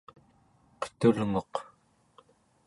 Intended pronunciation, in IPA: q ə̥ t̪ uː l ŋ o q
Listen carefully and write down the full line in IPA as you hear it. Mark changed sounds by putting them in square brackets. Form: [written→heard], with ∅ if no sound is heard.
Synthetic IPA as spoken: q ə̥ t̪ [uː→u] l ŋ o q